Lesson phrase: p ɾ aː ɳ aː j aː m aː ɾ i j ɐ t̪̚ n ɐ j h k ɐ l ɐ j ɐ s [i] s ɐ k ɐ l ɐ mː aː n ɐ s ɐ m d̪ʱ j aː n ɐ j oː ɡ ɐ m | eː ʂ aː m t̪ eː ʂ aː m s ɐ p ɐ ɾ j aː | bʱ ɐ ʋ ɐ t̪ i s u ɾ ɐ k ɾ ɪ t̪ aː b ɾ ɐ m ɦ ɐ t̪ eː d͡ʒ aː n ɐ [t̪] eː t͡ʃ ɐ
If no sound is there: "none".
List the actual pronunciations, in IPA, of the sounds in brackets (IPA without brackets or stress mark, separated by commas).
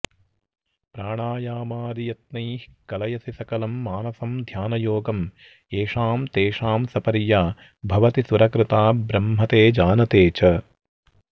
i, t̪